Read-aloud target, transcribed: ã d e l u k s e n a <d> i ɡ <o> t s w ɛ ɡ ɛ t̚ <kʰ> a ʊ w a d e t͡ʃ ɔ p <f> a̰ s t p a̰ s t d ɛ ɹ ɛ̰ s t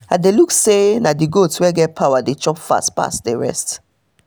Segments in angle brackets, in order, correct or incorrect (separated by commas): correct, correct, incorrect, correct